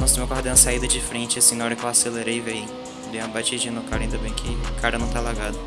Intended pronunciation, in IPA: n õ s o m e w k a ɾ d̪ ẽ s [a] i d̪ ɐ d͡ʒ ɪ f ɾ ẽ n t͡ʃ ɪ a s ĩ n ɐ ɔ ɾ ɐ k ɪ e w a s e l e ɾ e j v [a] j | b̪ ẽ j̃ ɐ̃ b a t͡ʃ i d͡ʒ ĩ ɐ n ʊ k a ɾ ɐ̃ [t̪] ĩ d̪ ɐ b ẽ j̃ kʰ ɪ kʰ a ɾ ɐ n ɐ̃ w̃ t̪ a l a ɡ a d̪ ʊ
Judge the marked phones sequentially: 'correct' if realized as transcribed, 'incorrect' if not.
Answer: correct, incorrect, incorrect

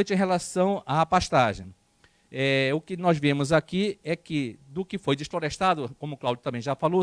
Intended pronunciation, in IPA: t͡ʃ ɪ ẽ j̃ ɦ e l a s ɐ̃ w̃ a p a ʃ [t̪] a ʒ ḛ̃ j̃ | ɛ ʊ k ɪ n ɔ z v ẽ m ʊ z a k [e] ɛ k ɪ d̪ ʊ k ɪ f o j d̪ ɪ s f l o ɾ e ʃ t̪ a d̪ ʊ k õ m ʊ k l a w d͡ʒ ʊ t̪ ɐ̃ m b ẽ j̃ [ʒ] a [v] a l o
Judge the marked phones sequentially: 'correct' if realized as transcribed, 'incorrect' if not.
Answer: correct, incorrect, correct, incorrect

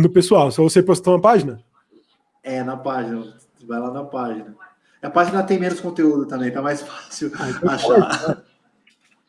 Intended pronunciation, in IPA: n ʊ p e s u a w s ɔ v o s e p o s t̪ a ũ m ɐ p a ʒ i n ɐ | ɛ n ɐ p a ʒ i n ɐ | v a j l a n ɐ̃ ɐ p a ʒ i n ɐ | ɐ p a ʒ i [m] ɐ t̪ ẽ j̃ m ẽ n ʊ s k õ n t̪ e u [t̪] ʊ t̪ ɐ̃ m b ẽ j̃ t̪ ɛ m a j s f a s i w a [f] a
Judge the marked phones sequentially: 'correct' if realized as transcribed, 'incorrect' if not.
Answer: incorrect, incorrect, incorrect

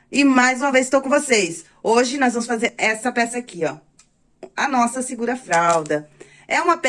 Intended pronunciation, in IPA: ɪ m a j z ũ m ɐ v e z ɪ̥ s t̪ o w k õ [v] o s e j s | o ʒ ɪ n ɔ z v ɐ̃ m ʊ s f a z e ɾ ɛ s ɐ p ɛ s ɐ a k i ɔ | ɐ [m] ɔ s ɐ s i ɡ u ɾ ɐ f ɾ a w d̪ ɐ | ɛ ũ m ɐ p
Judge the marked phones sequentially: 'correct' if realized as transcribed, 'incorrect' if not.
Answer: correct, incorrect

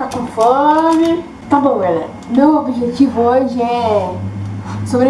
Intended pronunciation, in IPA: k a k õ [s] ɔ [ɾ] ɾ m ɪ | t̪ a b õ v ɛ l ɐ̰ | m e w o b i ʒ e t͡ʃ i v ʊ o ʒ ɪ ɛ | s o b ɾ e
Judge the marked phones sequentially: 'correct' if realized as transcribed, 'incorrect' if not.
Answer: incorrect, correct

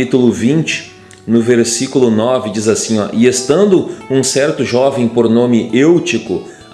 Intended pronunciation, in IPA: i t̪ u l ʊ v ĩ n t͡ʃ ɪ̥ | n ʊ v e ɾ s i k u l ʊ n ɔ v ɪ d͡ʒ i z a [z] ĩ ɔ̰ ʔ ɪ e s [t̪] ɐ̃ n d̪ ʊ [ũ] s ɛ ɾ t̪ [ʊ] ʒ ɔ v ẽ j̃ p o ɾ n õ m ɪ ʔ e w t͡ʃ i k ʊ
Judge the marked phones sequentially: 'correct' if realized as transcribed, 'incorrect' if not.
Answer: incorrect, correct, correct, correct

